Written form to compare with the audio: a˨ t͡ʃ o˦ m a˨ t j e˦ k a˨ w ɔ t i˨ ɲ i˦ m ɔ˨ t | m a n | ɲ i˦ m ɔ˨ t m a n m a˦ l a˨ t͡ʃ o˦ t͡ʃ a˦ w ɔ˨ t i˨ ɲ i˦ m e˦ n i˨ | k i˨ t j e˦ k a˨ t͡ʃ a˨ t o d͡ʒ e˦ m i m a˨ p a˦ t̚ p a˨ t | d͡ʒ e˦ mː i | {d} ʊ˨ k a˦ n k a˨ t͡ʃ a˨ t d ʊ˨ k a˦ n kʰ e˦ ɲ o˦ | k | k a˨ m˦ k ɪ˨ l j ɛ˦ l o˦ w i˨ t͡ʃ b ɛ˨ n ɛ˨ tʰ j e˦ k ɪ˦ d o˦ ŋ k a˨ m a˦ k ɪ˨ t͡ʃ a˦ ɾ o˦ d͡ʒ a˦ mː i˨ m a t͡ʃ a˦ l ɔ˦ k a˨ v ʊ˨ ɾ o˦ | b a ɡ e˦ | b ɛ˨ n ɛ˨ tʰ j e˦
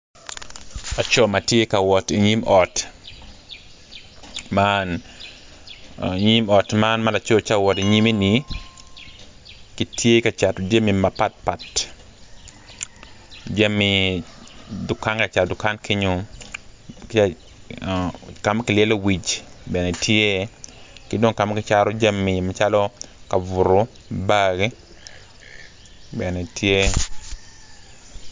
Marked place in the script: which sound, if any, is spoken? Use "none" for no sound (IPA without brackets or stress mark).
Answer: d